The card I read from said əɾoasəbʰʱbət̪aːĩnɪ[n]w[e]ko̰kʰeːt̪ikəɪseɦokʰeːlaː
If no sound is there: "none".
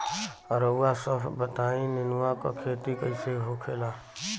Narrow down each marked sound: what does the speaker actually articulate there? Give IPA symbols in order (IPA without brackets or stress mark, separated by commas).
n, a